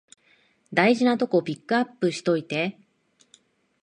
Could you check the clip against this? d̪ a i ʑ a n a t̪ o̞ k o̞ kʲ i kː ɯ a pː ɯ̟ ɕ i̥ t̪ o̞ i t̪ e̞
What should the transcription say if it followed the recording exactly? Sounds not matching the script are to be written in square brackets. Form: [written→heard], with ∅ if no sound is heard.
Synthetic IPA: d̪ a i ʑ [a→i] n a t̪ o̞ k o̞ [kʲ→pʲ] i kː ɯ a pː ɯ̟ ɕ i̥ t̪ o̞ i t̪ e̞